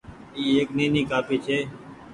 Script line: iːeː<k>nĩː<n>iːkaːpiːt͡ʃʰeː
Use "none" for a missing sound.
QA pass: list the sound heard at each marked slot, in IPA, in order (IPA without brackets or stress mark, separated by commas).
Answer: k, n